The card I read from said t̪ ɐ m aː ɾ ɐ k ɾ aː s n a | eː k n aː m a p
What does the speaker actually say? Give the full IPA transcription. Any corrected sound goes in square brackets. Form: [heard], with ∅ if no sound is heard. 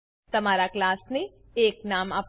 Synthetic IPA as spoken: t̪ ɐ m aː ɾ [a] k [l] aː s n [e] | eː k n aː m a p

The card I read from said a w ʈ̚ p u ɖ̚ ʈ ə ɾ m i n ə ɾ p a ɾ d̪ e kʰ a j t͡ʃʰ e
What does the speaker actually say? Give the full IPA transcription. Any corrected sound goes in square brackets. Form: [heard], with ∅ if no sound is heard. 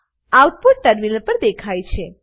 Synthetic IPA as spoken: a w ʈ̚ p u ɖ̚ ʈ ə ɾ m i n ə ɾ p [ə] ɾ d̪ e kʰ a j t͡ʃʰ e

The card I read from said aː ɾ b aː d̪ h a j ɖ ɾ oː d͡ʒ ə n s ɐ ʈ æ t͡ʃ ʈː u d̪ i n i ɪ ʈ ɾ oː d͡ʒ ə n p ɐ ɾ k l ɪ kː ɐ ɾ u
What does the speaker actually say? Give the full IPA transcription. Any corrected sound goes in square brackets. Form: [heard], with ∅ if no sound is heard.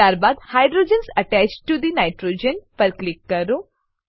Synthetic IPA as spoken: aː ɾ b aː d̪ h a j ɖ ɾ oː d͡ʒ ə n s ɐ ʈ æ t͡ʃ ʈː u d̪ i n [a] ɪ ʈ ɾ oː d͡ʒ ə n p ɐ ɾ k l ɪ kː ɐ ɾ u

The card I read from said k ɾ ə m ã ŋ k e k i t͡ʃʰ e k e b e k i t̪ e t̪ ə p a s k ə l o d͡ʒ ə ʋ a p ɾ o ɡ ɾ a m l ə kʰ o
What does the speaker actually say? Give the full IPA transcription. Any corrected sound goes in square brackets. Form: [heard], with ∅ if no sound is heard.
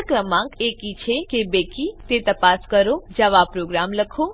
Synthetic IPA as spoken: k ɾ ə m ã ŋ k e k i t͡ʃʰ e k e b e k i t̪ e t̪ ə p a s k ə [ɾ] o d͡ʒ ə ʋ a p ɾ o ɡ ɾ a m l ə kʰ o

